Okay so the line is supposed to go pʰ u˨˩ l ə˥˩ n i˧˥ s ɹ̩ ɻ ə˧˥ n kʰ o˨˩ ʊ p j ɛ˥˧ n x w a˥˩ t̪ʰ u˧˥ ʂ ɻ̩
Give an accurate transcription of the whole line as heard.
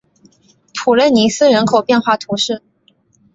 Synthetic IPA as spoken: pʰ u˨˩ l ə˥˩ n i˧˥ s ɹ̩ ɻ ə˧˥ n kʰ o˨˩ ʊ p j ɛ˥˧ n x w a˥˩ t̪ʰ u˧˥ ʂ ɻ̩